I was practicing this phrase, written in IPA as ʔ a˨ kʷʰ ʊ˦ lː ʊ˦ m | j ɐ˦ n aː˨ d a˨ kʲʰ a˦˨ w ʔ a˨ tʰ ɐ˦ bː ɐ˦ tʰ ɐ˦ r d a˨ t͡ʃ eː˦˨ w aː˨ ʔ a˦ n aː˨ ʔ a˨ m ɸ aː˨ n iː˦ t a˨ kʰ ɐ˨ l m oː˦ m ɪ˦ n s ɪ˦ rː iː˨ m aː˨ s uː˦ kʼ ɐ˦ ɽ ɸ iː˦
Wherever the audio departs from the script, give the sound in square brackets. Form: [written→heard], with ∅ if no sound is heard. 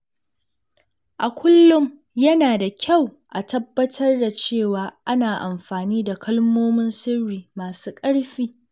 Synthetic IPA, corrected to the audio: ʔ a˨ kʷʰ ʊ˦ lː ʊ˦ m | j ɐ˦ n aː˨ d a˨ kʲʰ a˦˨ w ʔ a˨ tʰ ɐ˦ bː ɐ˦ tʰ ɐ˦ r d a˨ t͡ʃ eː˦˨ w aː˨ ʔ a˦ n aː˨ ʔ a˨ m ɸ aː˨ n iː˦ [t→d] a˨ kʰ [ɐ˨→ɐ˦] l m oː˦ m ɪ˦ n s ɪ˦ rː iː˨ m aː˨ s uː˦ kʼ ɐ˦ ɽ ɸ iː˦